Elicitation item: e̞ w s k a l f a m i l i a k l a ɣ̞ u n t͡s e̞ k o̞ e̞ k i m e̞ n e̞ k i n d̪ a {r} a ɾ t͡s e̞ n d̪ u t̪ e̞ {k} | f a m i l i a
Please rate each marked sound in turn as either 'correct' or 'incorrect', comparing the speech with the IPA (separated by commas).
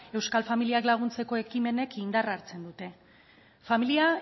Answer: correct, incorrect